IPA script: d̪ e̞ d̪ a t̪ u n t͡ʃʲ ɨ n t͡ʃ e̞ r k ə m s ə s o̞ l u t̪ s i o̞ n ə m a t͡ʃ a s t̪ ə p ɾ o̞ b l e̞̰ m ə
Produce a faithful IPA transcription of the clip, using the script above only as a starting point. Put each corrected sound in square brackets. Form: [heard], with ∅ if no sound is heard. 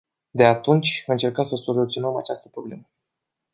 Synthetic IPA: d̪ e̞ [∅] a t̪ u n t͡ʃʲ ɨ n t͡ʃ e̞ r k ə m s ə s o̞ l u t̪ s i o̞ n ə m a t͡ʃ a s t̪ ə p ɾ o̞ b l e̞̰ m ə